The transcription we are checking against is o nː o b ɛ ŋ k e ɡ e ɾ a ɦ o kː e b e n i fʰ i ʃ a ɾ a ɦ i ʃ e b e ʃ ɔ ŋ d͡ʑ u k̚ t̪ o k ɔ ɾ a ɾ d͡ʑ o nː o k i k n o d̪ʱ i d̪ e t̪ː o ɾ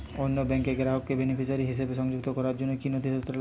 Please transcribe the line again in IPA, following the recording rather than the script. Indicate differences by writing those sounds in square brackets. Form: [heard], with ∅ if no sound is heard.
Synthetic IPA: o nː o b ɛ ŋ k e ɡ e ɾ a ɦ o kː e b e n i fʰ i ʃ a ɾ [i] ɦ i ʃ e b e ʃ ɔ ŋ d͡ʑ u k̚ t̪ o k ɔ ɾ a ɾ d͡ʑ o nː o k i [∅] n o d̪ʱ i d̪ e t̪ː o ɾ